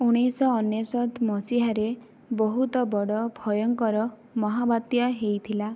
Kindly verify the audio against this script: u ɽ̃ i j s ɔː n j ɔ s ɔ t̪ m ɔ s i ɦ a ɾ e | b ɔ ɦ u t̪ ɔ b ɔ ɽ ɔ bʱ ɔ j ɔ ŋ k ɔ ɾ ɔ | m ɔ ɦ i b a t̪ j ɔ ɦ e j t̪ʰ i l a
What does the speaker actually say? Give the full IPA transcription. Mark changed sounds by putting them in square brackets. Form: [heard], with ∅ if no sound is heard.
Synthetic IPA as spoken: u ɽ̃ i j s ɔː n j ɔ s ɔ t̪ m ɔ s i ɦ a ɾ e | b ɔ ɦ u t̪ ɔ b ɔ ɽ ɔ bʱ ɔ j ɔ ŋ k ɔ ɾ ɔ | m ɔ ɦ [a] b a t̪ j ɔ ɦ e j t̪ʰ i l a

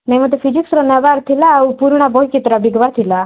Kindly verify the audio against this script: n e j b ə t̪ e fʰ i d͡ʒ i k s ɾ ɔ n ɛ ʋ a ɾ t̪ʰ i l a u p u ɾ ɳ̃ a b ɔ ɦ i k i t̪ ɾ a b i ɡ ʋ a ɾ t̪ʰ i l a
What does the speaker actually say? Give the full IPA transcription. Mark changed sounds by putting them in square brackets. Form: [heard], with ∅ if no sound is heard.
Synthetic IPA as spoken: n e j [m] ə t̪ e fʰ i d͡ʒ i k s ɾ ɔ n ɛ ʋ a ɾ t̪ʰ i l a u p u ɾ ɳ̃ a b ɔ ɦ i k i t̪ ɾ a b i ɡ ʋ a ɾ t̪ʰ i l a

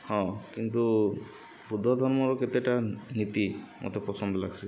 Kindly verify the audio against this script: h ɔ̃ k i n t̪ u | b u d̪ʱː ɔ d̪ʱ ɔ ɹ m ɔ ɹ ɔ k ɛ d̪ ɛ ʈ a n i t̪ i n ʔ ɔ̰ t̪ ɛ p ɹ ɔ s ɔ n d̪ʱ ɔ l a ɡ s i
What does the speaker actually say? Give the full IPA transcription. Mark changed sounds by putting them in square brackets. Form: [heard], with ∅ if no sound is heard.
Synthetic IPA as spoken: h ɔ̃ k i n t̪ u | b u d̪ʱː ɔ d̪ʱ ɔ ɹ m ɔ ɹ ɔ k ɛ [t̪] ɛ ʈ a n i t̪ i [m] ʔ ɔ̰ t̪ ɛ p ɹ ɔ s ɔ n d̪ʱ ɔ l a ɡ s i

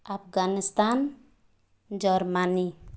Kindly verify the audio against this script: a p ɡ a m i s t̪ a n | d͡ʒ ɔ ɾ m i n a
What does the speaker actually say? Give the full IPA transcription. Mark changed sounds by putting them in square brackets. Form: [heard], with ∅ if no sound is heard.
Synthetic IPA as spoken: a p ɡ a [n] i s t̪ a n | d͡ʒ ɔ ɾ m [a] n [i]

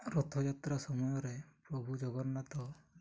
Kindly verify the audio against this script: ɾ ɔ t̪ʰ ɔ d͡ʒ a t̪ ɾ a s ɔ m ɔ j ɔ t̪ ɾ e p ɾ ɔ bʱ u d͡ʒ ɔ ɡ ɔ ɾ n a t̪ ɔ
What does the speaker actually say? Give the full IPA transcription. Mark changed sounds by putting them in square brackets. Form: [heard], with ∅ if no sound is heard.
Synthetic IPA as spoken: ɾ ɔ t̪ʰ ɔ d͡ʒ a t̪ ɾ a s ɔ m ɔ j ɔ [∅] ɾ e p ɾ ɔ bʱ u d͡ʒ ɔ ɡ ɔ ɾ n a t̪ ɔ

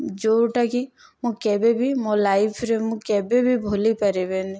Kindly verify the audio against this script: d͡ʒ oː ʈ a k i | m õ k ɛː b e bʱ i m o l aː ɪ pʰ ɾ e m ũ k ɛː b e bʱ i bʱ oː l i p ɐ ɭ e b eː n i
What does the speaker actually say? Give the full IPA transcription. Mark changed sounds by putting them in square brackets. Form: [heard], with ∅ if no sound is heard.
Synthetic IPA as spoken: d͡ʒ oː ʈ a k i | m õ k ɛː b e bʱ i m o l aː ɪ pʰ ɾ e m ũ k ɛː b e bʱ i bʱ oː l i p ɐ [ɾ] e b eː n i

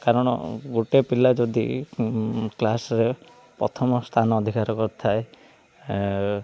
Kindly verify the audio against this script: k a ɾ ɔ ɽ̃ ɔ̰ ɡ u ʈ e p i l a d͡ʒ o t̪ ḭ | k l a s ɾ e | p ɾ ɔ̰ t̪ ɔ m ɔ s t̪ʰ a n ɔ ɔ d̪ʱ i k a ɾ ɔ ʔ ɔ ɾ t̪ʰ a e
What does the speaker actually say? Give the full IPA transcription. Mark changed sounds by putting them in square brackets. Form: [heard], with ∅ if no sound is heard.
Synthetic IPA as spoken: k a ɾ ɔ ɽ̃ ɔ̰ ɡ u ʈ e p i l a d͡ʒ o [d̪] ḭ | k l a s ɾ e | p ɾ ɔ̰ [t̪ʰ] ɔ m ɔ s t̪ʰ a n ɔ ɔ d̪ʱ i k a ɾ ɔ [k] ɔ ɾ t̪ʰ a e

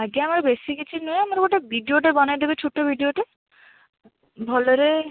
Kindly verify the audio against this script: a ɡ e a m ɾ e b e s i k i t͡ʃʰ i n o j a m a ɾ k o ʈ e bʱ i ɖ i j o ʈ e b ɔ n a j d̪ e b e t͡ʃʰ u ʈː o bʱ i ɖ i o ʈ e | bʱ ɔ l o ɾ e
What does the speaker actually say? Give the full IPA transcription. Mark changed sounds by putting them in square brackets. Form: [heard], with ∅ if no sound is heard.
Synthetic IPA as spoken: a ɡ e a m ɾ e b e s i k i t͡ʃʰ i n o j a m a ɾ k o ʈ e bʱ i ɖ i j o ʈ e b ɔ n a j d̪ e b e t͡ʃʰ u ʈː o bʱ i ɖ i o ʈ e | bʱ ɔ l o ɾ e

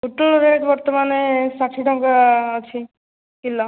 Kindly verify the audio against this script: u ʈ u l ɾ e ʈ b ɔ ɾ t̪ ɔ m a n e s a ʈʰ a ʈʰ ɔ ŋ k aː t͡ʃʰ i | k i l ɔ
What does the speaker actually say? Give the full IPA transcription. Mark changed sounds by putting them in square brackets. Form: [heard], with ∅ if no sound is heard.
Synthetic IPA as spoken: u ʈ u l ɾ e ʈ b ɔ ɾ t̪ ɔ m a n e s a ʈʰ [i] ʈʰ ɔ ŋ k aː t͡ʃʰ i | k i l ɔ

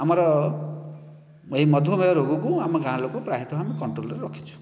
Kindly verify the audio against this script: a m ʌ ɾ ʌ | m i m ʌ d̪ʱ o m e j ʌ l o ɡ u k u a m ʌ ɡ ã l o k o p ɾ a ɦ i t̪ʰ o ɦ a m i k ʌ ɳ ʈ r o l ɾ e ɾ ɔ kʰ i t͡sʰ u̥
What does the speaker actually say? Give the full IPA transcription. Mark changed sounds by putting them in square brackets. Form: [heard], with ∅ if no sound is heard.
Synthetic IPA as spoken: a m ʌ ɾ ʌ | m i m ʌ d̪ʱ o m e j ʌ [ɾ] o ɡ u k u a m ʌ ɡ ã l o k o p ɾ a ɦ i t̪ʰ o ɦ a m i k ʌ ɳ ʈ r o l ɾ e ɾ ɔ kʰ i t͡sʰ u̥

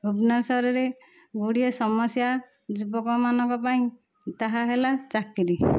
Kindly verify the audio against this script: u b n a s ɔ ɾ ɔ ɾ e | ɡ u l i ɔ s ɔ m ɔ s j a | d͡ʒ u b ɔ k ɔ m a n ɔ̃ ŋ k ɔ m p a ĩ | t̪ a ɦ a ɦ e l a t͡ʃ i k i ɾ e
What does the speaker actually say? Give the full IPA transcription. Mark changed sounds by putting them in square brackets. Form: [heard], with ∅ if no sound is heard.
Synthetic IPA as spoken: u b n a s ɔ ɾ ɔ ɾ e | ɡ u [ɽ] i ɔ s ɔ m ɔ s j a | d͡ʒ u b ɔ k ɔ m a n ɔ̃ ŋ k ɔ [∅] p a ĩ | t̪ a ɦ a ɦ e l a t͡ʃ [a] k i ɾ [i]

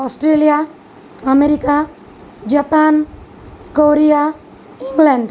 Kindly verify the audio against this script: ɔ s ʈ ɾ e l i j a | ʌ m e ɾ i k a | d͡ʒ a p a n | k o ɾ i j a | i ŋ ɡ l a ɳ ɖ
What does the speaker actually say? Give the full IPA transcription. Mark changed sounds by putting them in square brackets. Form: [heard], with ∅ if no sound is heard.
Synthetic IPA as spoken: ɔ s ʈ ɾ e l i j a | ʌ m e ɾ i k a | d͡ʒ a p a n | k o ɾ i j a | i ŋ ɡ l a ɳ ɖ

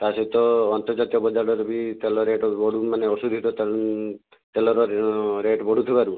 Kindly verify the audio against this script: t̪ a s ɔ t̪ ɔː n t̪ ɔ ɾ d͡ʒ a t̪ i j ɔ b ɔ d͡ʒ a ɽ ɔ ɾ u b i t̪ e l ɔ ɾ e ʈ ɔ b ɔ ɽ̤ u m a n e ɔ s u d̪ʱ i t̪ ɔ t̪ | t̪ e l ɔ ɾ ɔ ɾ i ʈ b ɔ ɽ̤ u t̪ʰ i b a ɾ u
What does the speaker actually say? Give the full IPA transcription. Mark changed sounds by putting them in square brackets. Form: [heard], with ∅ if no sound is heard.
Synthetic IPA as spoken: t̪ a s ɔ t̪ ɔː n t̪ ɔ ɾ d͡ʒ a t̪ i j ɔ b ɔ d͡ʒ a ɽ ɔ ɾ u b i t̪ e l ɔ ɾ e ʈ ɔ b ɔ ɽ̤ u m a n e ɔ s u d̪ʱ i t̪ ɔ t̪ | t̪ e l ɔ ɾ ɔ ɾ [e] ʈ b ɔ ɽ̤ u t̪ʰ i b a ɾ u

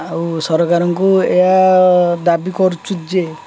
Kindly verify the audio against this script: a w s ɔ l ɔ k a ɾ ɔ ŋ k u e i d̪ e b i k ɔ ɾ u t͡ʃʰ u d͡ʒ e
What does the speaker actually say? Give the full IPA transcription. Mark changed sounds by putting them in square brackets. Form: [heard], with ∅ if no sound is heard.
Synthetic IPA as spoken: a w s ɔ [ɾ] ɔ k a ɾ ɔ ŋ k u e [a] d̪ [a] b i k ɔ ɾ u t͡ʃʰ u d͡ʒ e

